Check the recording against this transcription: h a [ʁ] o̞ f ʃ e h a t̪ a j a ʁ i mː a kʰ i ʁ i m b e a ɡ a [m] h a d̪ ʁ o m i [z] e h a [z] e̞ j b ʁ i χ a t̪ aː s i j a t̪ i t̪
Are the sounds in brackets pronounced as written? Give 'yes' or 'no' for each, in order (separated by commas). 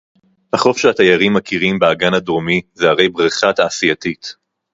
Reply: no, no, yes, no